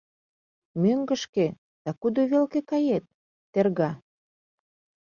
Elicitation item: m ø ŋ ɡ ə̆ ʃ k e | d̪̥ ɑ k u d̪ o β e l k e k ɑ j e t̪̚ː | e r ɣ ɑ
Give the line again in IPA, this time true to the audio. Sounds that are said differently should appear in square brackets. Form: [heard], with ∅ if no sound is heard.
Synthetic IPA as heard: m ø ŋ ɡ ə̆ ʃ k e | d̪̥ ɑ k u d̪ o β e l k e k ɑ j e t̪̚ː | e r ɣ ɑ